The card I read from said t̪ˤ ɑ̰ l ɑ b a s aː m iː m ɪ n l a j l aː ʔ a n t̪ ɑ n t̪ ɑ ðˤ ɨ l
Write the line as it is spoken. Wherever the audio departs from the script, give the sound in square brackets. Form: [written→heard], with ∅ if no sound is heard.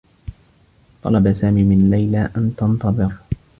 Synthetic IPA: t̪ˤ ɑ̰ l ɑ b a s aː m iː m ɪ n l a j l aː ʔ a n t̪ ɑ n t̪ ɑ ðˤ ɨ [l→ɾ]